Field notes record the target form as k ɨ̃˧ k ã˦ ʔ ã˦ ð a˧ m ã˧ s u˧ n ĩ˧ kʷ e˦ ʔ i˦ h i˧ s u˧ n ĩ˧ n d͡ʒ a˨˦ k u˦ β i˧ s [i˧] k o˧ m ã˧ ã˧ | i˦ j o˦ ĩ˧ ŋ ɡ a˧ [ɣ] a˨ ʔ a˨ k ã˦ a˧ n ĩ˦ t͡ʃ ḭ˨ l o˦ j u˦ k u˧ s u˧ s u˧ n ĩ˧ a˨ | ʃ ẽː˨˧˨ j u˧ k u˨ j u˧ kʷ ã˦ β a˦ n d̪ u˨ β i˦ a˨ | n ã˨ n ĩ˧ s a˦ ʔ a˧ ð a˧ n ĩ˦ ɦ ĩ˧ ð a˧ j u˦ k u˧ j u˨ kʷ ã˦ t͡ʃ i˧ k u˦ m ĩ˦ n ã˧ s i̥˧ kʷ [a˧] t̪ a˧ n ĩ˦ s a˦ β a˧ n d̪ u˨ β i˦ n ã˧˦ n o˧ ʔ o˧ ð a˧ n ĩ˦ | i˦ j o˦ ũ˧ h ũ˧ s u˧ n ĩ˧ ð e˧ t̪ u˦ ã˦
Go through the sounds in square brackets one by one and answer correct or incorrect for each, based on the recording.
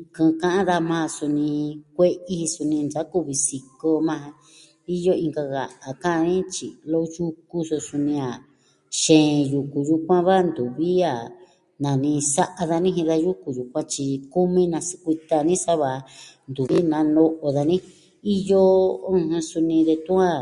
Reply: correct, correct, incorrect: i˧

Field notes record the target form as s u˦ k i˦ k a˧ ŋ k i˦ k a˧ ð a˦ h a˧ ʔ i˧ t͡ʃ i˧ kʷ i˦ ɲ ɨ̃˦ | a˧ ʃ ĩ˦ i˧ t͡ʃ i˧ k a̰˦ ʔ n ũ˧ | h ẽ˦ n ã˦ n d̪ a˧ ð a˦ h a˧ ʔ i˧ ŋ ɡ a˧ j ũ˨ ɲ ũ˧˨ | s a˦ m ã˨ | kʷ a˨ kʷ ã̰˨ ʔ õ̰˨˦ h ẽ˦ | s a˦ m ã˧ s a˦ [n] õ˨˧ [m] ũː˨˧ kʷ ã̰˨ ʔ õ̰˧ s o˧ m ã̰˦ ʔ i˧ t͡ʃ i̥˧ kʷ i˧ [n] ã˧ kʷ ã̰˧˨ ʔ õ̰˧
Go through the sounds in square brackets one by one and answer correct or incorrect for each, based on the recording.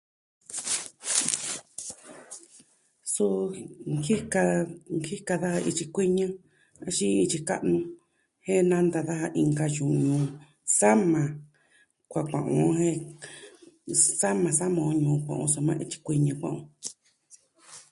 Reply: incorrect: m, incorrect: ɲ, incorrect: ɲ

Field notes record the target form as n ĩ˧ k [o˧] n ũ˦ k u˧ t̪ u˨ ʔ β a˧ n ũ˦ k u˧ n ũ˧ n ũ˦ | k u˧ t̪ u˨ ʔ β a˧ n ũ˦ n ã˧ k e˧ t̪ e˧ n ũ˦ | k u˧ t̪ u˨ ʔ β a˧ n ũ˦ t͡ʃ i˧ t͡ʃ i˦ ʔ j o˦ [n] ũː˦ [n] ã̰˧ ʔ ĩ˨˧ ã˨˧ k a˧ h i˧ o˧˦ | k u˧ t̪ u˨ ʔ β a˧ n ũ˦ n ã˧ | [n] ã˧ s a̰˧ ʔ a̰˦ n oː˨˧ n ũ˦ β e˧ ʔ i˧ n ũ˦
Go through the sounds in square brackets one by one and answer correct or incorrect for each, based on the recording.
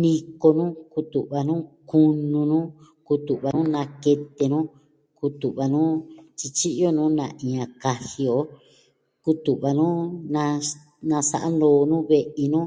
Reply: correct, correct, correct, correct

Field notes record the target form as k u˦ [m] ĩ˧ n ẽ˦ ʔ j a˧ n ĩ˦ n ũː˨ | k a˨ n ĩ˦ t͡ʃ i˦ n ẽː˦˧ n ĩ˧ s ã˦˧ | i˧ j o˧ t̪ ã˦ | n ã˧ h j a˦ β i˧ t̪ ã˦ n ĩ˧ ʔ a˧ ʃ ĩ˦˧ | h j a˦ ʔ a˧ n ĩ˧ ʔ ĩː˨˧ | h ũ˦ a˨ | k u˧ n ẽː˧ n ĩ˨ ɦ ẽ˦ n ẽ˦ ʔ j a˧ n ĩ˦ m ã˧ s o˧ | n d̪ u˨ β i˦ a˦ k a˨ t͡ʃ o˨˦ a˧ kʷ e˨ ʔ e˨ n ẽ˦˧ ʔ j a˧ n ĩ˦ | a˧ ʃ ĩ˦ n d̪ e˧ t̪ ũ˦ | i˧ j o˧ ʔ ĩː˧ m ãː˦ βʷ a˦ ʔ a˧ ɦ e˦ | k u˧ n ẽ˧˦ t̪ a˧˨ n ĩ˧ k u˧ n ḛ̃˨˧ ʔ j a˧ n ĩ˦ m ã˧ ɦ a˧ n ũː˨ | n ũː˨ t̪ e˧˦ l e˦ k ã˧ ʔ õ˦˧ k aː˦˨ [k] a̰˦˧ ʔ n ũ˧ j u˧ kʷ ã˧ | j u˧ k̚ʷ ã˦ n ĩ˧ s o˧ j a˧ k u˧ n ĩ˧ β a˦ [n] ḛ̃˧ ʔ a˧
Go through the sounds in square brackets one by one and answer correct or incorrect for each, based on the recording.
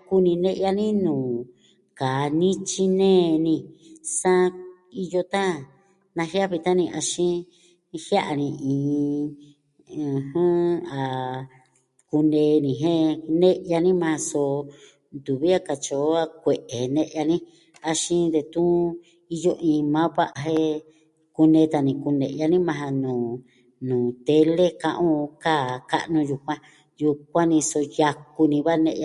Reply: incorrect: n, correct, correct

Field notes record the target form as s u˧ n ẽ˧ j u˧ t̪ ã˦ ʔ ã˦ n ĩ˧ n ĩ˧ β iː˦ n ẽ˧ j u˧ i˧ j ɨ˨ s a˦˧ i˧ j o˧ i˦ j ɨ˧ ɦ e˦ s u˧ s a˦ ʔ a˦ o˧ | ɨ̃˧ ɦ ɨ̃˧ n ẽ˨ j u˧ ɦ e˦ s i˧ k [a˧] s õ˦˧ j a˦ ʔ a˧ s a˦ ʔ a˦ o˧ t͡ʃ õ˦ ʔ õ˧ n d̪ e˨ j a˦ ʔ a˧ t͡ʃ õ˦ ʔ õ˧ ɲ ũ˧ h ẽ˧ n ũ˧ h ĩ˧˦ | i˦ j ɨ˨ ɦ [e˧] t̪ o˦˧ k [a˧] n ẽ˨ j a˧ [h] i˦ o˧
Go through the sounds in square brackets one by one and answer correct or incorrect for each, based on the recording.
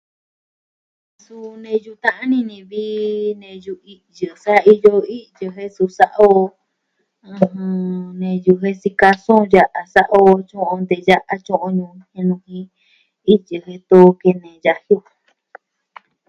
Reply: correct, correct, incorrect: e˧, correct

